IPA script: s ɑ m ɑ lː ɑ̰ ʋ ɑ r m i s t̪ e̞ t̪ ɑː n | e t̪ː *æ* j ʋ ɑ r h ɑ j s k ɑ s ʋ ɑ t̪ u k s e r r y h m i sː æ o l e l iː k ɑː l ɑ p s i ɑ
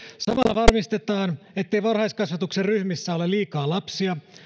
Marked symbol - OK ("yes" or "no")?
no